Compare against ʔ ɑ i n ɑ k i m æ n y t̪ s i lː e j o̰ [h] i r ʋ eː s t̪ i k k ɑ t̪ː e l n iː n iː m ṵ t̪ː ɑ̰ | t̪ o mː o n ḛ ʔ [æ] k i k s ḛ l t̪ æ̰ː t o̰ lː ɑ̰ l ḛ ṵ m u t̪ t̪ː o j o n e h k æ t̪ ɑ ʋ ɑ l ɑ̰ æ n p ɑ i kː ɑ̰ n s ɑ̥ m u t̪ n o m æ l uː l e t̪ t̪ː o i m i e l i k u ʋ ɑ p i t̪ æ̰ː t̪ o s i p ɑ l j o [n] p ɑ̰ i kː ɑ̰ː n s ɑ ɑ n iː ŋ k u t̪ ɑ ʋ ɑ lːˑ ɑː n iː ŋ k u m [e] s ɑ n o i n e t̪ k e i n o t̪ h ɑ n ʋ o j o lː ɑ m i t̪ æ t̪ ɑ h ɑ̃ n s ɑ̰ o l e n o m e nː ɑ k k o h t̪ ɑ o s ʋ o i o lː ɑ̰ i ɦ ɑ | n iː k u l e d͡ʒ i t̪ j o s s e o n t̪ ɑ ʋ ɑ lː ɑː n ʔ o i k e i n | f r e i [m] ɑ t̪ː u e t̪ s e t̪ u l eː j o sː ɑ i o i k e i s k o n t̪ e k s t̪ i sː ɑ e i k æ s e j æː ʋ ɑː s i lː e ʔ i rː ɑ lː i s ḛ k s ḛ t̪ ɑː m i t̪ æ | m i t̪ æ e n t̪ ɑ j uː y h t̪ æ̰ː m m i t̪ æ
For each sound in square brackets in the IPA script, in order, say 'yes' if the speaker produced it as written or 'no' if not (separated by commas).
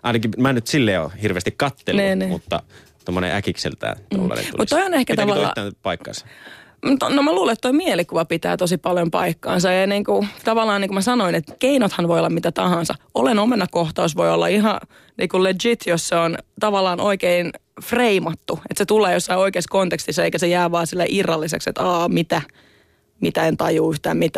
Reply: yes, yes, no, no, yes